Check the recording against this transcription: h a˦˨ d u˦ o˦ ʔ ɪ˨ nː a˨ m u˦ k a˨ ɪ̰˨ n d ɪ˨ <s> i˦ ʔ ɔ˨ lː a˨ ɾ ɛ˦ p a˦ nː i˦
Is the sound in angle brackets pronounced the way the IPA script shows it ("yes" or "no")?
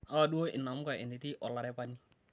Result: no